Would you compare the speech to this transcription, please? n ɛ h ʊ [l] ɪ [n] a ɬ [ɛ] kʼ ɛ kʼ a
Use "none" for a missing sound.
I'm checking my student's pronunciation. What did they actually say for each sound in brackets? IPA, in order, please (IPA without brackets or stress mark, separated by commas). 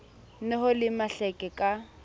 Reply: l, m, ɛ